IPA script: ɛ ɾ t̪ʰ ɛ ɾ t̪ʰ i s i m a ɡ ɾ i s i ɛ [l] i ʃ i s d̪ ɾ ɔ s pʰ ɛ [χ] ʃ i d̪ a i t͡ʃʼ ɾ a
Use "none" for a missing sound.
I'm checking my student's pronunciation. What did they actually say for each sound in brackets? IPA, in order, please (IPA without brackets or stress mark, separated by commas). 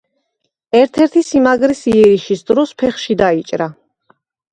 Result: ɾ, χ